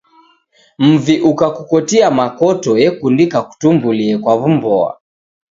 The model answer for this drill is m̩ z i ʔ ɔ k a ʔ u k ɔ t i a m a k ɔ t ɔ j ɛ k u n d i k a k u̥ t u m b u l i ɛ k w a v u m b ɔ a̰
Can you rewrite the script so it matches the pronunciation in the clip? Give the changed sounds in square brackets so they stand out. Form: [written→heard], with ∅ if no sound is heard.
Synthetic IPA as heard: m̩ [z→v] i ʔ [ɔ→u] k a [ʔ→k] u k ɔ t i a m a k ɔ t ɔ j ɛ k u n d i k a k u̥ t u m b u l i ɛ k w a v u m b ɔ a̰

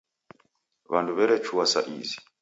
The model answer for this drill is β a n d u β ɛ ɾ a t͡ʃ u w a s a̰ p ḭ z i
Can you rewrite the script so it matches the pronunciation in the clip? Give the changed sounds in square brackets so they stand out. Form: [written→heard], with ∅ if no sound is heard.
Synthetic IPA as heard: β a n d u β ɛ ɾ [a→ɛ] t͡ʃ u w a s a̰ [p→ʔ] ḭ z i

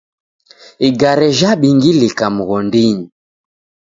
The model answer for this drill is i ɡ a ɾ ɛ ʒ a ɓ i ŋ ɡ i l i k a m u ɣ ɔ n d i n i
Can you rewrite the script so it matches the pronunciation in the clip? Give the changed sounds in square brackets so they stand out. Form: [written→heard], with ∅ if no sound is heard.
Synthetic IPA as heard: i ɡ a ɾ ɛ ʒ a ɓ i ŋ ɡ i l i k a m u ɣ ɔ n d i [n→ɲ] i

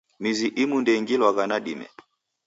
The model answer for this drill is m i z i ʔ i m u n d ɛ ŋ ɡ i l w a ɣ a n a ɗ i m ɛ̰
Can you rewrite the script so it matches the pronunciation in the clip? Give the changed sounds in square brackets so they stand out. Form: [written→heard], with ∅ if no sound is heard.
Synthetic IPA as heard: m i z i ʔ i m u n d ɛ ŋ ɡ i l w a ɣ a n a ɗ i m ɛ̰

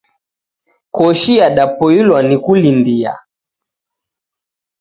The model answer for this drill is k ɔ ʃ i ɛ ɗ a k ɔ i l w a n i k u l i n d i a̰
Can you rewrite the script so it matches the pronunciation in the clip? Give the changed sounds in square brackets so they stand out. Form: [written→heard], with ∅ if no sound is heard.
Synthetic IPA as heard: k ɔ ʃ i [ɛ→a] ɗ a [k→p] ɔ i l w a n i k u l i n d i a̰

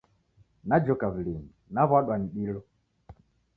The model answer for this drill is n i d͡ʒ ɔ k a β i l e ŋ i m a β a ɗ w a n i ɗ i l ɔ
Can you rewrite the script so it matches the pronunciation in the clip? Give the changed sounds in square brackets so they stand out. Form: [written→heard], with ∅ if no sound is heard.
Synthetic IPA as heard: n [i→a] d͡ʒ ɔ k a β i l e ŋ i [m→n] a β a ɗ w a n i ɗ i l ɔ

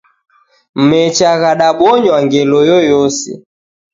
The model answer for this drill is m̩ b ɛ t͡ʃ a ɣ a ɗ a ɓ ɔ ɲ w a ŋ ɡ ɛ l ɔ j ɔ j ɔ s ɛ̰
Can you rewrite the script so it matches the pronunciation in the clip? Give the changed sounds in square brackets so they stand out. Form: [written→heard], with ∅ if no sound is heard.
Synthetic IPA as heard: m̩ [b→m] ɛ t͡ʃ a ɣ a ɗ a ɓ ɔ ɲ w a ŋ ɡ ɛ l ɔ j ɔ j ɔ s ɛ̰

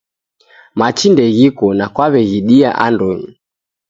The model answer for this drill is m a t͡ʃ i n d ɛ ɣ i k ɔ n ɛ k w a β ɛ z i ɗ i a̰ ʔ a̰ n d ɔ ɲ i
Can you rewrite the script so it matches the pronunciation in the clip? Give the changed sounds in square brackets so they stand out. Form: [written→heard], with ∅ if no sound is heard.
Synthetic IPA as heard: m a t͡ʃ i n d ɛ ɣ i k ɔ n [ɛ→a] k w a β ɛ [z→ɣ] i ɗ i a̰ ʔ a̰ n d ɔ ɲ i

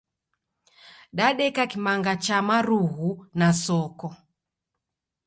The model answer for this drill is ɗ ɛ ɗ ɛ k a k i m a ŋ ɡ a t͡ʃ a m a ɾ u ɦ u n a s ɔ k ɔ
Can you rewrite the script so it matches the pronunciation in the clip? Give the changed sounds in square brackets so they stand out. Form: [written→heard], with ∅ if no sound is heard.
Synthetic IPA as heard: ɗ [ɛ→a] ɗ ɛ k a k i m a ŋ ɡ a t͡ʃ a m a ɾ u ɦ u n a s ɔ k ɔ

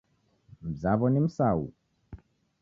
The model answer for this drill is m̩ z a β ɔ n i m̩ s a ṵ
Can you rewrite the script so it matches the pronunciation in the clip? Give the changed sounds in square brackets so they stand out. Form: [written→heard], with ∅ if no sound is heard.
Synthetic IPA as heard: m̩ z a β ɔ n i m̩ s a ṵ

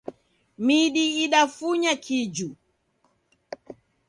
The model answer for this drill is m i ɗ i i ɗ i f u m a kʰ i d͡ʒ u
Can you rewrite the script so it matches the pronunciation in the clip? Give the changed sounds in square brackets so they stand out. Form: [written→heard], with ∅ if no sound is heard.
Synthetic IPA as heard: m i ɗ i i ɗ [i→a] f u [m→ɲ] a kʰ i d͡ʒ u

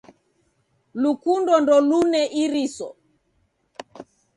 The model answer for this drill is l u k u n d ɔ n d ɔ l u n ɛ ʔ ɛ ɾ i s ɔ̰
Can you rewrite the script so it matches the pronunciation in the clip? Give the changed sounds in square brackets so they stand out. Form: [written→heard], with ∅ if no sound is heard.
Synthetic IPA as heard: l u k u n d ɔ n d ɔ l u n ɛ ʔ [ɛ→i] ɾ i s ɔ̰

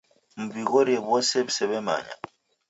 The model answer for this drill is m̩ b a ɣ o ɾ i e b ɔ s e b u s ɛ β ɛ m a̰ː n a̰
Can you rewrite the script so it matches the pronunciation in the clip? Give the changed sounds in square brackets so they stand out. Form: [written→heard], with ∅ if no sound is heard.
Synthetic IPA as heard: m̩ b [a→i] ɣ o ɾ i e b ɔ s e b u s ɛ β ɛ m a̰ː [n→ɲ] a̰

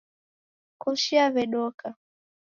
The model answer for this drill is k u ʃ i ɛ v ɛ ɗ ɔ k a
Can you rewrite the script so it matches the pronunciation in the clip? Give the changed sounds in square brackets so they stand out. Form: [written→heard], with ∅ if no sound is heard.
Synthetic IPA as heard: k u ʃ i [ɛ→a] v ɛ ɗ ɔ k a

